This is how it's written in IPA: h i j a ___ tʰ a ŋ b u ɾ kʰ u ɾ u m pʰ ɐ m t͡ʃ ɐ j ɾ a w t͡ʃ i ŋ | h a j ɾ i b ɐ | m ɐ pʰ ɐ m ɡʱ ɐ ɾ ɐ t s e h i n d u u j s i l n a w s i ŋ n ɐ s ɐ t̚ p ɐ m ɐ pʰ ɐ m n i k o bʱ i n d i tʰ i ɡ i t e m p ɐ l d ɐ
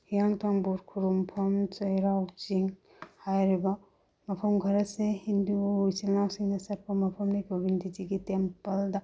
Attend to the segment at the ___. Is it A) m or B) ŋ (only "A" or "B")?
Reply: B